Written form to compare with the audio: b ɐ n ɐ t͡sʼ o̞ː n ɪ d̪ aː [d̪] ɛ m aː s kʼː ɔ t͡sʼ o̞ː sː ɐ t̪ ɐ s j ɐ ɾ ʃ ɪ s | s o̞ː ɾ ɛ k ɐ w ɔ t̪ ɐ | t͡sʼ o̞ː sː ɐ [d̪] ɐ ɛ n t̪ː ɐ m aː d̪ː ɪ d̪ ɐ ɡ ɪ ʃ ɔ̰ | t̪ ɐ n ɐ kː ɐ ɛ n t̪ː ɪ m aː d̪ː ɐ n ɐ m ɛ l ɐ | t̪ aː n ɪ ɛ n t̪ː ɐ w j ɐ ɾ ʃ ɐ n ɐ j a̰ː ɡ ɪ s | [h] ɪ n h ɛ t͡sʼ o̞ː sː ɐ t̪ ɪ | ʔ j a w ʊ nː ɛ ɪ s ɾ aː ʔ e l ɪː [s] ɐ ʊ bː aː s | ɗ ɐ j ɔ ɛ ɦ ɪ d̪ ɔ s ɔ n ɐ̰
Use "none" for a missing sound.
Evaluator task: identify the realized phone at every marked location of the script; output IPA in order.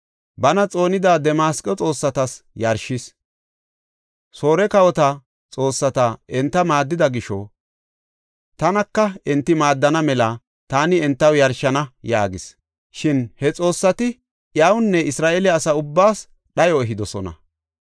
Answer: d̪, t̪, ʃ, s

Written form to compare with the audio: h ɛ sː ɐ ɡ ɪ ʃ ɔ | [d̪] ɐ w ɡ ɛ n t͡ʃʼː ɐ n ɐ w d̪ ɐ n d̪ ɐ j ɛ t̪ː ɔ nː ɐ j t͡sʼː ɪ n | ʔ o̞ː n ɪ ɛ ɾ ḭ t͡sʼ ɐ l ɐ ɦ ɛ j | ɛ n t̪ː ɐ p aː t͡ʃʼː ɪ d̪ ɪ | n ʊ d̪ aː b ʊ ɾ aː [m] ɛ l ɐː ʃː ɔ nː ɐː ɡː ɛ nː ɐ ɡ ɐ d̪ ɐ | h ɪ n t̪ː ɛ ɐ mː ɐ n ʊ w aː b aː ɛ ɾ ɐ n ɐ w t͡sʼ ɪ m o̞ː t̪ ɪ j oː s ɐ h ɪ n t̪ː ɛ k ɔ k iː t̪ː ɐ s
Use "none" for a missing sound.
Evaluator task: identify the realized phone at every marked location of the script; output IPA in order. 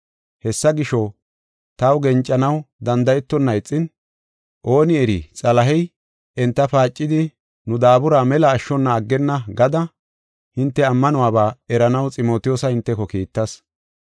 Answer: t̪, m

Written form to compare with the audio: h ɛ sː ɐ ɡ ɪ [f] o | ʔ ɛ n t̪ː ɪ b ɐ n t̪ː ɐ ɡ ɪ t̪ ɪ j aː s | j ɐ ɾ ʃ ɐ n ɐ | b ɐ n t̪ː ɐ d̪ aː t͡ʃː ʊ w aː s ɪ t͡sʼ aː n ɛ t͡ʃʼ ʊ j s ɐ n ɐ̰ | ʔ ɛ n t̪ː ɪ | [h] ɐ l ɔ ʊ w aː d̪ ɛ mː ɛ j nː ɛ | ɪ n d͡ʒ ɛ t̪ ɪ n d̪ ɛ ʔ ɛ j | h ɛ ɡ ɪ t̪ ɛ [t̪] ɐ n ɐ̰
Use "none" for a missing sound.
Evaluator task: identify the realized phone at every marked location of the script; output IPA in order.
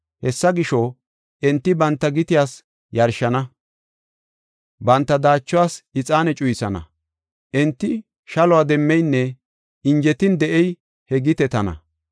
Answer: ʃ, ʃ, t̪

